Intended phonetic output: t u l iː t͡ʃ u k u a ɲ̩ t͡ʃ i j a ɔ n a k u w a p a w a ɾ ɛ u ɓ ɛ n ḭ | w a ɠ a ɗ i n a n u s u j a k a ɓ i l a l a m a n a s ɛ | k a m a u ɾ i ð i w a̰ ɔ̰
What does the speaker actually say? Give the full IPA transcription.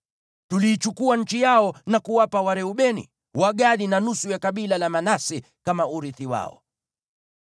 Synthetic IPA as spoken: t u l iː t͡ʃ u k u a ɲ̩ t͡ʃ i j a ɔ n a k u w a p a w a ɾ ɛ u ɓ ɛ n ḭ | w a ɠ a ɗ i n a n u s u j a k a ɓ i l a l a m a n a s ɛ | k a m a u ɾ i θ i w a̰ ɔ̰